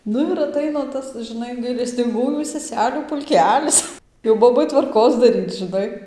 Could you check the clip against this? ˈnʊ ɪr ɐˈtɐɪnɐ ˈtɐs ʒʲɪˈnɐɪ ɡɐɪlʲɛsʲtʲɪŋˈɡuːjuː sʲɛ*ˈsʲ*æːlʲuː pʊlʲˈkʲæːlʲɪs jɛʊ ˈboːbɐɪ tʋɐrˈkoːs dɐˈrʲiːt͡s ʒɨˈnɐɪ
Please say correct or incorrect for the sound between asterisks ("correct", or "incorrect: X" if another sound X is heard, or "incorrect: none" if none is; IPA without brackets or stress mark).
correct